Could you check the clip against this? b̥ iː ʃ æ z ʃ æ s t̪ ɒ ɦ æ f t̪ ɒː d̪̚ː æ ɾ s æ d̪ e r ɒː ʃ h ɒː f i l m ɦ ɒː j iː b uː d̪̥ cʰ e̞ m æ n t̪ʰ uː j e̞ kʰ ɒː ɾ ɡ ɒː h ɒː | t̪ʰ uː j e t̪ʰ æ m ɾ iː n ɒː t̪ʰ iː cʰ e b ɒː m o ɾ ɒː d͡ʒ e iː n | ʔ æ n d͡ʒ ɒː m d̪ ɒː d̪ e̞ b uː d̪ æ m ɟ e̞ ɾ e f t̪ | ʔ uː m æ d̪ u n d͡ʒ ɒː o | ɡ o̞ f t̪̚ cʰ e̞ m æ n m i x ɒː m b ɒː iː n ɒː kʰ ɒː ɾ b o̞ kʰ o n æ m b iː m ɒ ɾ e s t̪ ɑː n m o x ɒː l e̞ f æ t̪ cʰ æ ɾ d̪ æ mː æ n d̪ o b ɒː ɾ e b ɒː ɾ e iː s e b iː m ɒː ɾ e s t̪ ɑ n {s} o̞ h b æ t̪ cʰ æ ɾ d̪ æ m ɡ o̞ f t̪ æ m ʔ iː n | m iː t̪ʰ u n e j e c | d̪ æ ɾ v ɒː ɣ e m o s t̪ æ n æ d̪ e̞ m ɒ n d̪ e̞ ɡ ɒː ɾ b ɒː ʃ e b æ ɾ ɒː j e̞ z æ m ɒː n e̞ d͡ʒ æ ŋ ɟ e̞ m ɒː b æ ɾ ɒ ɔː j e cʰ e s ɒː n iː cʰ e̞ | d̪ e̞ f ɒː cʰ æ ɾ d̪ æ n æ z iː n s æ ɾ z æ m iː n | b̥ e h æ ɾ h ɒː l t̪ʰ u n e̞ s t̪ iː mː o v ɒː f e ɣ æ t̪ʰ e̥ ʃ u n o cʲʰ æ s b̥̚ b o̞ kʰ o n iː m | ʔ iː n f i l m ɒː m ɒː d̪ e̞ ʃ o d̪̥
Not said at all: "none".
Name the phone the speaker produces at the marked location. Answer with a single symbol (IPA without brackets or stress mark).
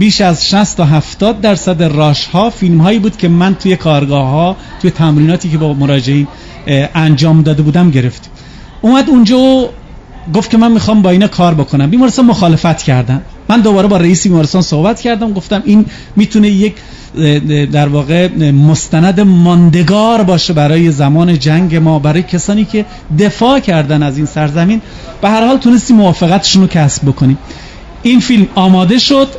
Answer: s